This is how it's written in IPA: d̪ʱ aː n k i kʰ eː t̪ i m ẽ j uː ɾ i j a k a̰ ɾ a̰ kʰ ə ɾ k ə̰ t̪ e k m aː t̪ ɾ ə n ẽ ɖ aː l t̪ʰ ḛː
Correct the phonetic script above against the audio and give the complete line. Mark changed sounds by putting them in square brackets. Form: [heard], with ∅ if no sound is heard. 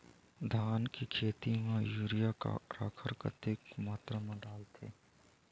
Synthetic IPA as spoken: d̪ʱ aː n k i kʰ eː t̪ i m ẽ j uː ɾ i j a k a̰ ɾ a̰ kʰ ə ɾ k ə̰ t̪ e k m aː t̪ ɾ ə [m] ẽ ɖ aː l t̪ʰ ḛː